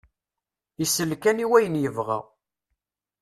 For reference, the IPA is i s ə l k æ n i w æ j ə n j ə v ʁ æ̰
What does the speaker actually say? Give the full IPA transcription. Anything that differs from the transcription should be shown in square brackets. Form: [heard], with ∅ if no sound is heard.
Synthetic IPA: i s ə l k æ n i w æ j ə n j ə v ʁ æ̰